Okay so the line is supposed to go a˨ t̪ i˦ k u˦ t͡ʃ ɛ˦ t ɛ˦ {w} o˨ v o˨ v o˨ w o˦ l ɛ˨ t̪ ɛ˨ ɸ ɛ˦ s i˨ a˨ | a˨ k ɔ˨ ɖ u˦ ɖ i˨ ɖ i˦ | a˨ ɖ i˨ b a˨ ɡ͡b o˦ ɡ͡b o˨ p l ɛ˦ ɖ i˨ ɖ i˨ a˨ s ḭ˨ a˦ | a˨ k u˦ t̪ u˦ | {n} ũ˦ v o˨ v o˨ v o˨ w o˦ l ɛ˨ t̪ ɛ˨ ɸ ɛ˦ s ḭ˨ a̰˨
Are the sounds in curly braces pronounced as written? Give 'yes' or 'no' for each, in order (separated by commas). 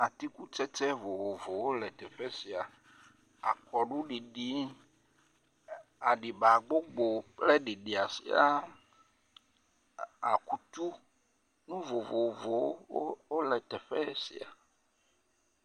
no, yes